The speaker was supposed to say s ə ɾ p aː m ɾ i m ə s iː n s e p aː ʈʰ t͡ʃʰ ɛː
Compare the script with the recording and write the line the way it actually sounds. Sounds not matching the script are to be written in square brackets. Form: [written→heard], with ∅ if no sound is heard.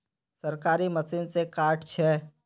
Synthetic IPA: s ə ɾ [p→k] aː [m→∅] ɾ i m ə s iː n s e [p→k] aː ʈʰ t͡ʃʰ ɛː